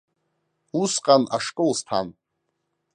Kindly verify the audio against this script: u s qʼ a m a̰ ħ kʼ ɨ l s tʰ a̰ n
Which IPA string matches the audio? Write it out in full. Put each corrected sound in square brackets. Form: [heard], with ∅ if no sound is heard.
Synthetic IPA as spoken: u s qʼ a [n] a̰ [ʂ] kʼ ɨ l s tʰ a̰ n